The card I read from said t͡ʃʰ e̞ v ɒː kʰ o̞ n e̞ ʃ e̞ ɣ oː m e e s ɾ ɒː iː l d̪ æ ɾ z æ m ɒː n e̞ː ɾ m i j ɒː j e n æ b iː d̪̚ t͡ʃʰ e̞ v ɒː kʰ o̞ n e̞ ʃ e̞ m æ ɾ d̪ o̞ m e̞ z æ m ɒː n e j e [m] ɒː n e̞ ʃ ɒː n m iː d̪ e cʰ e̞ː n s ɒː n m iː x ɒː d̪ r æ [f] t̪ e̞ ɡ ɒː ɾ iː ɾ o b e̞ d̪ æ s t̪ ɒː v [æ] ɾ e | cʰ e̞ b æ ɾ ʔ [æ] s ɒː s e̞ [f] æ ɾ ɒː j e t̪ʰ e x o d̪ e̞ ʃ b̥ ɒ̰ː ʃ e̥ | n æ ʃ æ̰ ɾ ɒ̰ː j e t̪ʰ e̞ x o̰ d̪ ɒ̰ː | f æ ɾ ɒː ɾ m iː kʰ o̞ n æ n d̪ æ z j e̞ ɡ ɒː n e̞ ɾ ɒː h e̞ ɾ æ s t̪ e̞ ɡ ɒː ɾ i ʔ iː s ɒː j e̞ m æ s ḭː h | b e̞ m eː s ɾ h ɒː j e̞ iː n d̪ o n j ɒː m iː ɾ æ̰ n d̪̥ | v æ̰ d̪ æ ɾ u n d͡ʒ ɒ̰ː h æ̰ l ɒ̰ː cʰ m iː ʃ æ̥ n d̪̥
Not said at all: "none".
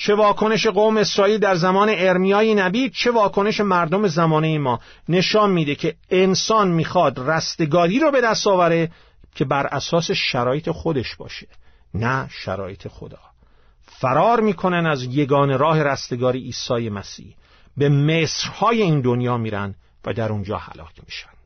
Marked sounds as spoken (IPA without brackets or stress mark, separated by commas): m, s, æ, æ, ʃ